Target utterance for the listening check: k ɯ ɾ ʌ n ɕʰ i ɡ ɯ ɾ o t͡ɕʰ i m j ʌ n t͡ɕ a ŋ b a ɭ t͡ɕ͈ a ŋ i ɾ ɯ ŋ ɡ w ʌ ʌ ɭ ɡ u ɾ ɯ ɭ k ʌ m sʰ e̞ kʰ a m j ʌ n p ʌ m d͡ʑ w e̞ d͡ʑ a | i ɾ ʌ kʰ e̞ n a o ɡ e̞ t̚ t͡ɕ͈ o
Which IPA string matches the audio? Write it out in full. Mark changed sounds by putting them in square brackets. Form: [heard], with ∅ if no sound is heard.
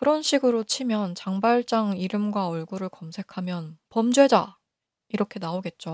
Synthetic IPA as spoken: k ɯ ɾ ʌ n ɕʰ i ɡ ɯ ɾ o t͡ɕʰ i m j ʌ n t͡ɕ a ŋ b a ɭ t͡ɕ͈ a ŋ i ɾ ɯ [m] ɡ w [a] ʌ ɭ ɡ u ɾ ɯ ɭ k ʌ m sʰ e̞ kʰ a m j ʌ n p ʌ m d͡ʑ w e̞ d͡ʑ a | i ɾ ʌ kʰ e̞ n a o ɡ e̞ t̚ t͡ɕ͈ o